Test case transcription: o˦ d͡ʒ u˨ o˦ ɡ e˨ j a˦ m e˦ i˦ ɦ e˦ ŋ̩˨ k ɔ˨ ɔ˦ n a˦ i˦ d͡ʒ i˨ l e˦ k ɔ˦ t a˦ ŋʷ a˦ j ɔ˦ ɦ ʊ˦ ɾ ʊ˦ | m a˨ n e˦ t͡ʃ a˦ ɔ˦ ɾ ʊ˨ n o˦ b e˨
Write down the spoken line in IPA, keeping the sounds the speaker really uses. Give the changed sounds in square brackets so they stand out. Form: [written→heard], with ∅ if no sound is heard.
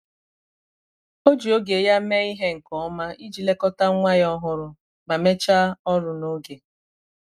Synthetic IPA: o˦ d͡ʒ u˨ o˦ ɡ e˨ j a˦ m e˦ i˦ ɦ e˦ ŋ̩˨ k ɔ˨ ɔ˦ [n→m] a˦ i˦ d͡ʒ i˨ l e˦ k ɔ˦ t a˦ ŋʷ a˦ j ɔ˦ ɦ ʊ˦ ɾ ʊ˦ | m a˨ [n→m] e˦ t͡ʃ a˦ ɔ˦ ɾ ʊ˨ n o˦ [b→ɡ] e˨